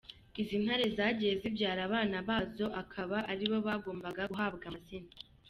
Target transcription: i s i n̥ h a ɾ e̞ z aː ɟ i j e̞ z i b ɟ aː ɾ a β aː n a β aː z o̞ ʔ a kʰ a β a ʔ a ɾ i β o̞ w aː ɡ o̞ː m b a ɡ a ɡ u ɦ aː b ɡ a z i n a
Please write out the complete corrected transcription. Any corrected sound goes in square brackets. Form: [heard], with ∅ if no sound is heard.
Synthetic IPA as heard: i [z] i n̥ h a ɾ e̞ z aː ɟ i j e̞ z i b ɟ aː ɾ a β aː n a β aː z o̞ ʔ a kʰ a β a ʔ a ɾ i β o̞ [β] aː ɡ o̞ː m b a ɡ a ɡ u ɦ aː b ɡ a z i n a

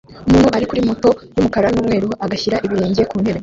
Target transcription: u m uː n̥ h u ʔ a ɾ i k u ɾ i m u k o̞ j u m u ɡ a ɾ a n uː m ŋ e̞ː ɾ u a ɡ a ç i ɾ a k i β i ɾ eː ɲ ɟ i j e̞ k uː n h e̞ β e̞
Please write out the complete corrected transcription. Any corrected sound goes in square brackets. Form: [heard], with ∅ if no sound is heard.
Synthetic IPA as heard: u m uː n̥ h u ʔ a ɾ i k u ɾ i m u [t] o̞ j u m u [k] a ɾ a n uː m ŋ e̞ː ɾ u a ɡ a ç i ɾ a [ʔ] i β i ɾ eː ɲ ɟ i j e̞ k uː n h e̞ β e̞

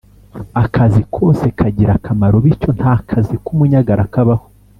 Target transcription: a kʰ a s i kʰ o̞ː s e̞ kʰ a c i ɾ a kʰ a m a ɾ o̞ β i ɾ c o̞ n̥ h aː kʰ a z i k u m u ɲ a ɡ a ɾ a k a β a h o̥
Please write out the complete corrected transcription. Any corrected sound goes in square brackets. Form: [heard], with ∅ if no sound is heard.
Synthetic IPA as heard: a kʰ a [z] i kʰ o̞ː s e̞ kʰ a [ɟ] i ɾ a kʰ a m a ɾ o̞ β i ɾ c o̞ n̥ h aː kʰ a z i k u m u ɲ a ɡ a ɾ a k a β a h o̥

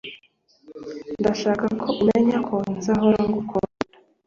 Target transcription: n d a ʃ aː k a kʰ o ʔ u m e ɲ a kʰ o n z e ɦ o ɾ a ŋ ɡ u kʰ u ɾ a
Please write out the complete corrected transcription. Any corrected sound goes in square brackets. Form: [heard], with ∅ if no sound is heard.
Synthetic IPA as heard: n d a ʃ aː k a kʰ o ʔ u m e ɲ a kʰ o n z [a] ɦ o ɾ a ŋ ɡ u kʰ [o] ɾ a

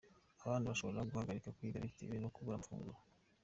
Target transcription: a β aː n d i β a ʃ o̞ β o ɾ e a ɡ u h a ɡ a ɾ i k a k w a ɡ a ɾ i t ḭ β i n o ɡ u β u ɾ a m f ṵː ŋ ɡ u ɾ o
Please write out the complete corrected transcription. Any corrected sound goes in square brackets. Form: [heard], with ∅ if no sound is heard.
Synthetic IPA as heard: a β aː n d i β a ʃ o̞ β o ɾ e a ɡ u h a ɡ a ɾ i k a k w [i] ɡ a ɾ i t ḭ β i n o [k] u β u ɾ a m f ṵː ŋ ɡ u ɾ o

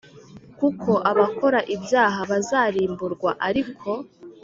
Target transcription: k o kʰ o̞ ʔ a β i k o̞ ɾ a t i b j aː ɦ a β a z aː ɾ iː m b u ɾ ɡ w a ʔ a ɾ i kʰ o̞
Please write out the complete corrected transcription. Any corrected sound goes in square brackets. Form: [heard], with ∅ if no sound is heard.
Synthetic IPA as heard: k [u] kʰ o̞ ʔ a β [a] k o̞ ɾ a [ʔ] i b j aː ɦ a β a z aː ɾ iː m b u ɾ ɡ w a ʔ a ɾ i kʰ o̞

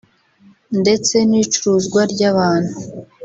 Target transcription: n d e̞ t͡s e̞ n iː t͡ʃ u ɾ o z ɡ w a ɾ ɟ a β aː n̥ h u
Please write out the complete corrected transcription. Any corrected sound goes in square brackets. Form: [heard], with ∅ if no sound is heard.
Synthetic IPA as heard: n d e̞ t͡s e̞ n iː t͡ʃ u ɾ [u] z ɡ w a ɾ ɟ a β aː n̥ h u

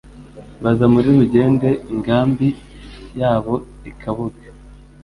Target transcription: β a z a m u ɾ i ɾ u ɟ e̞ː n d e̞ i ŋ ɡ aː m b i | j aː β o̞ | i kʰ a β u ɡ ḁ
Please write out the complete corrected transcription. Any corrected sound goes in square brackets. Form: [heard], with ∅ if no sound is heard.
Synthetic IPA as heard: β a z a m u ɾ i ɾ u ɟ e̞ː n d e̞ i ŋ ɡ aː m b i | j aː β o̞ | i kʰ a β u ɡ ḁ

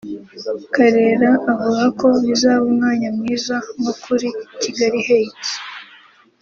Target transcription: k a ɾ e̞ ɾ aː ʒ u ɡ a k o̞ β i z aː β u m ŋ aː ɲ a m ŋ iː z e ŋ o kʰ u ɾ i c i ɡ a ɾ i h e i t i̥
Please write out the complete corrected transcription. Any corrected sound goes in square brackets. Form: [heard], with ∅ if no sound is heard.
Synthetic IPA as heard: k a ɾ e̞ ɾ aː [v] u ɡ a k o̞ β i z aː β u m ŋ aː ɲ a m ŋ iː z [a] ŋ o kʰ u ɾ i c i ɡ a ɾ i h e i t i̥

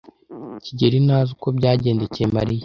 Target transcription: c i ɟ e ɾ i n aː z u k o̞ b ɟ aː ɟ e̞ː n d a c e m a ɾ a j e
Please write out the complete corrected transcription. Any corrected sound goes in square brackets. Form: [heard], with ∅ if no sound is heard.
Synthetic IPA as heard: c i ɟ e ɾ i n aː z u k o̞ b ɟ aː ɟ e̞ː n d [e] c e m a ɾ [i] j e

